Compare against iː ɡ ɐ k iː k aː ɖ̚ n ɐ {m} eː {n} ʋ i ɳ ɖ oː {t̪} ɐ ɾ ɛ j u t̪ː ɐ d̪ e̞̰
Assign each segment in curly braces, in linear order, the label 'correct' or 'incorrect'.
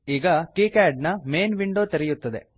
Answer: correct, correct, correct

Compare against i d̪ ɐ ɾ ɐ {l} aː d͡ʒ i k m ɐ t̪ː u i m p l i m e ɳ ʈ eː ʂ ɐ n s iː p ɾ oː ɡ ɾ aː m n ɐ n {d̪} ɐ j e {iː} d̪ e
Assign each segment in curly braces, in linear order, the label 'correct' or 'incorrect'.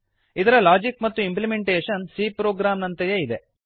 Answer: correct, incorrect, incorrect

